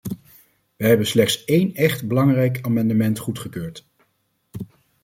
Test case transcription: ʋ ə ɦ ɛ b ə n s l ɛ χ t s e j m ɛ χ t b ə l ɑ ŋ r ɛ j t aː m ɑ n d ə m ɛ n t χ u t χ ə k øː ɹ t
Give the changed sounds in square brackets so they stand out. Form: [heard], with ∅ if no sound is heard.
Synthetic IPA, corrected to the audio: ʋ ə ɦ ɛ b ə n s l ɛ χ t s e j [n] ɛ χ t b ə l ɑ ŋ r ɛ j [k] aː m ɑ n d ə m ɛ n t χ u t χ ə k øː ɹ t

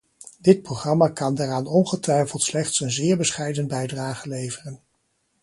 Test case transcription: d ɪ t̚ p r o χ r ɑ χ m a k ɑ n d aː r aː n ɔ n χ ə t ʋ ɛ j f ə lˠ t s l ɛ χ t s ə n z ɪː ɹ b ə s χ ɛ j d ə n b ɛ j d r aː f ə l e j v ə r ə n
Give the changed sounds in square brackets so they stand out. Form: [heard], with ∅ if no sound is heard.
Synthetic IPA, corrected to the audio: d ɪ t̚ p r o χ r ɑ [∅] m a k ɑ n d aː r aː n ɔ n χ ə t ʋ ɛ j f ə lˠ t s l ɛ χ t s ə n z ɪː ɹ b ə s χ ɛ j d ə n b ɛ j d r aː [χ] ə l e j v ə r ə n

